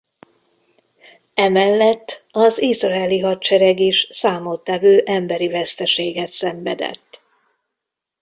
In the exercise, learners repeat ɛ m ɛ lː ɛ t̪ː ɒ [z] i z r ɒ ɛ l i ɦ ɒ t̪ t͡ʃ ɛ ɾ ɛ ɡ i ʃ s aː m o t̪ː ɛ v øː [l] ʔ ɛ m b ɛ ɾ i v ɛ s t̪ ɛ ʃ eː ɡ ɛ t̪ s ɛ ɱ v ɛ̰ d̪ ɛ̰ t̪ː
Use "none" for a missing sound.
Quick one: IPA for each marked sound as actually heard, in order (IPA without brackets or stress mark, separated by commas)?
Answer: z, none